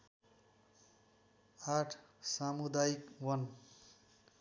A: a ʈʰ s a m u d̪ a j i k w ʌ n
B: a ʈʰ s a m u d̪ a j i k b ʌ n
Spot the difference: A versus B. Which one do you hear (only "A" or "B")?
A